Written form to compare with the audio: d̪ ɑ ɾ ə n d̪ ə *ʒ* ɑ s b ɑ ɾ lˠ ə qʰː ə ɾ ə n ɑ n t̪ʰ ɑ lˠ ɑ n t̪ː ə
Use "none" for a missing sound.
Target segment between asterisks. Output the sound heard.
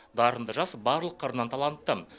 ʒ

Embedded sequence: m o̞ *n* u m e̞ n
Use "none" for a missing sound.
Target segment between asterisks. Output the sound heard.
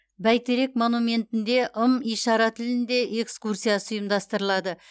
n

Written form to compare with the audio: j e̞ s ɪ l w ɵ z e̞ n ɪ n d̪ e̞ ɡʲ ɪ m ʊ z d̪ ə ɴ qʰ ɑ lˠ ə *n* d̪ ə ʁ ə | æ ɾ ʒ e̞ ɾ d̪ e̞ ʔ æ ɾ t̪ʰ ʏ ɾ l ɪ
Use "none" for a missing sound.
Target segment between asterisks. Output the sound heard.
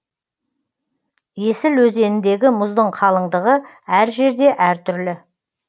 ɴ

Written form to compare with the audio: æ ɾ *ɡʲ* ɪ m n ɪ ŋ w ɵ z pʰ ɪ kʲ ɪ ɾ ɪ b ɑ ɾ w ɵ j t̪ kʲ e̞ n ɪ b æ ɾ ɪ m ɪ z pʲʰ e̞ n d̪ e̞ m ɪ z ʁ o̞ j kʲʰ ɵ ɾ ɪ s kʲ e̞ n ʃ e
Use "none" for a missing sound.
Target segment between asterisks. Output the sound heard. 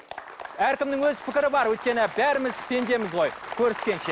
kʲ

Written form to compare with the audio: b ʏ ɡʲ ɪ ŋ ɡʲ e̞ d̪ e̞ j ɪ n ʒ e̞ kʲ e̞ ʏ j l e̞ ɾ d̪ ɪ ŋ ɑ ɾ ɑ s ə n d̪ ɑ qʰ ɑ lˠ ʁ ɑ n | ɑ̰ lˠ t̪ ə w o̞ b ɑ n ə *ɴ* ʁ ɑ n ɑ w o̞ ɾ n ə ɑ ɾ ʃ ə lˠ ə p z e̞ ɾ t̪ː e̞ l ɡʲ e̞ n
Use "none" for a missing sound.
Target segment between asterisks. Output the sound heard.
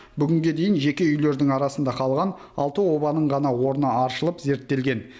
ɴ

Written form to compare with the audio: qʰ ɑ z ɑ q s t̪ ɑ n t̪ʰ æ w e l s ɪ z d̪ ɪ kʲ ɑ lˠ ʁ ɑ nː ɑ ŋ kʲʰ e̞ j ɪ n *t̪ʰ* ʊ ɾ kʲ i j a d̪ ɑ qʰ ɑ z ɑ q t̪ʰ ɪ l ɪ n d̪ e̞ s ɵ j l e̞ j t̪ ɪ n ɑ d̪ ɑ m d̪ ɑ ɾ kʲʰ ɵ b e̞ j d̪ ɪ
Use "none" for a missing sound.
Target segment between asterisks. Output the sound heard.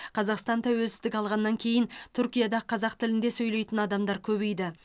t̪ʰ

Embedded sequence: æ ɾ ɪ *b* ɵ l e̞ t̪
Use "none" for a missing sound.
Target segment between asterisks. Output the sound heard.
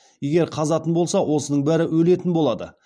w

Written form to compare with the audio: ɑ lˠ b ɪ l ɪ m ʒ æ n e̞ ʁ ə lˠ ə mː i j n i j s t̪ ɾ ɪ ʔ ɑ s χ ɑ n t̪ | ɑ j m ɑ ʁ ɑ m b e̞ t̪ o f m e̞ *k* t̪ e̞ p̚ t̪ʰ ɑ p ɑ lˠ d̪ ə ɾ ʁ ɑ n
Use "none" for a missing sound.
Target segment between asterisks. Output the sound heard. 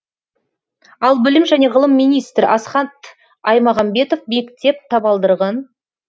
k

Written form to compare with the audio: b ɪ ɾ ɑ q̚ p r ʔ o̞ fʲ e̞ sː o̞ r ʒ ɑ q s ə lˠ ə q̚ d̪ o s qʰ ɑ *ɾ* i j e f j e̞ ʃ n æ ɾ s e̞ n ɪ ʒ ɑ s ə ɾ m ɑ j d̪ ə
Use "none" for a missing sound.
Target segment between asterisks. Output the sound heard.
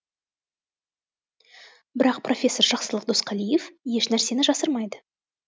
l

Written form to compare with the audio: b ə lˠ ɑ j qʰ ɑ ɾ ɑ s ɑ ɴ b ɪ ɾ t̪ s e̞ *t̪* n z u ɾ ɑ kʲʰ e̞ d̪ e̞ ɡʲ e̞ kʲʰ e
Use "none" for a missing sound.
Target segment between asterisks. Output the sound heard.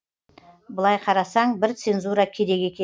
none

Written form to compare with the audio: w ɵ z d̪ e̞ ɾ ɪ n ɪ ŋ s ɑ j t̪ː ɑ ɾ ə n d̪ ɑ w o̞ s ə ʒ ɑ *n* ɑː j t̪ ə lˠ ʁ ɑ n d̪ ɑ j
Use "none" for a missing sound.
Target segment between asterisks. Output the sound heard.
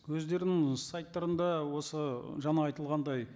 n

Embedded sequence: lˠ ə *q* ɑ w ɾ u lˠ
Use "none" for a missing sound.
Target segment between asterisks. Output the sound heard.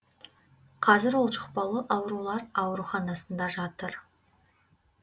ʔ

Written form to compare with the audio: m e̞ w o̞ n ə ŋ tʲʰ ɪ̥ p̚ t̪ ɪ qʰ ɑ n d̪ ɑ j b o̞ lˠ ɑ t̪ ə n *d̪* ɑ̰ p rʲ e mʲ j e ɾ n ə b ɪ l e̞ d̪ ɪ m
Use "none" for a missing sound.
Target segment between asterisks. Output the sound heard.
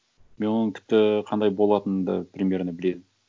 d̪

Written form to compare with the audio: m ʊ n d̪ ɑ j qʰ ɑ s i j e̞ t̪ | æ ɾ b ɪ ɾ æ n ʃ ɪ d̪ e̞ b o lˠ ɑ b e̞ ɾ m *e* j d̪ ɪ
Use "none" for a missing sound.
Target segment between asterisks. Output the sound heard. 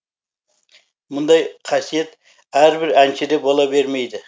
e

